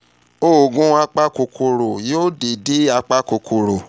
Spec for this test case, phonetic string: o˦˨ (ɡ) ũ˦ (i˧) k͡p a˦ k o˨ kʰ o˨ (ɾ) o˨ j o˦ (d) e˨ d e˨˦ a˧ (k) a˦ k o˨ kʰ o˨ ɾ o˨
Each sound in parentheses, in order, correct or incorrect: correct, incorrect: a˧, correct, correct, incorrect: k͡p

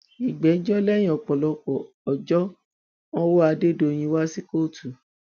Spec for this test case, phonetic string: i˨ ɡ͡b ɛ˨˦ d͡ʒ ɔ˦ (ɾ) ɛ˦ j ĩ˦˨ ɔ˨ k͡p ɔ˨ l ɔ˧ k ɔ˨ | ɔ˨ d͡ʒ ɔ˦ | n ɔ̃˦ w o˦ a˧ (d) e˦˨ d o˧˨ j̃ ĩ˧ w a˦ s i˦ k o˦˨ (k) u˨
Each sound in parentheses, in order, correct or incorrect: incorrect: l, correct, incorrect: t

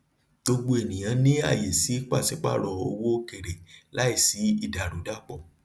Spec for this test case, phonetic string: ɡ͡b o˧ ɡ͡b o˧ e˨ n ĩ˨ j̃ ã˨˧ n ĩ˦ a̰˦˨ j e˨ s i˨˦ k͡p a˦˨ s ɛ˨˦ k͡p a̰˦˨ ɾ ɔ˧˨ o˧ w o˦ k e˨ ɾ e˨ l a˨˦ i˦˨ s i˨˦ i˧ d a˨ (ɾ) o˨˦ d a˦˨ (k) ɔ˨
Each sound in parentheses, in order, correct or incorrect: correct, incorrect: k͡p

